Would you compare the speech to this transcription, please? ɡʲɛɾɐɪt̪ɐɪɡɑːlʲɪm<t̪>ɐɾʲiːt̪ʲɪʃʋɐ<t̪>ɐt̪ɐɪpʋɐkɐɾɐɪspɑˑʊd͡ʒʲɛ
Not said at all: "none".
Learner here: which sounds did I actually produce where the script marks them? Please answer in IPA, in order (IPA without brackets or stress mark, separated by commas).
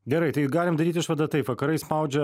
d̪, d̪